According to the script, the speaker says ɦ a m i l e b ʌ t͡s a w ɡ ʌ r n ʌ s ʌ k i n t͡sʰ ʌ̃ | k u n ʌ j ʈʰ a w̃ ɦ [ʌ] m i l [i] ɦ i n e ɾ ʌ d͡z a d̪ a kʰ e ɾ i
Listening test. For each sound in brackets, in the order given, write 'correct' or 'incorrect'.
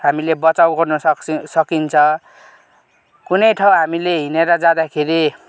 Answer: incorrect: a, incorrect: e

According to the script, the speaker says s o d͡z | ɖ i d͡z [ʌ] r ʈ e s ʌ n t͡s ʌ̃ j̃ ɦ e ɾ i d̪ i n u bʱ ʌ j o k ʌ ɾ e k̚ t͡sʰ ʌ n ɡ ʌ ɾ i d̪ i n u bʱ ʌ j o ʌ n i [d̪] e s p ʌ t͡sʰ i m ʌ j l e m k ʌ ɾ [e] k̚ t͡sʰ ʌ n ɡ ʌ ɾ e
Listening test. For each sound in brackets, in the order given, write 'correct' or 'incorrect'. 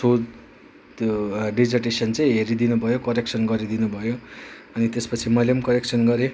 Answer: correct, incorrect: t̪, correct

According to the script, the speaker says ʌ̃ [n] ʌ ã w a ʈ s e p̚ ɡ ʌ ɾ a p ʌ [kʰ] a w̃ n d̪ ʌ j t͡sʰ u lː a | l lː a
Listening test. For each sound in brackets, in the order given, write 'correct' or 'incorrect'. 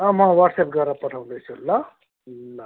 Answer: incorrect: m, incorrect: ʈʰ

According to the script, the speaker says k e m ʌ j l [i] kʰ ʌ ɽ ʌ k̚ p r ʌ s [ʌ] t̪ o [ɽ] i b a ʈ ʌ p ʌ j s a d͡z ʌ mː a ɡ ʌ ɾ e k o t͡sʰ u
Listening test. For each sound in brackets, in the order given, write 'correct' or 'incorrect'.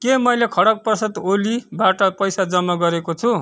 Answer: incorrect: e, correct, incorrect: l

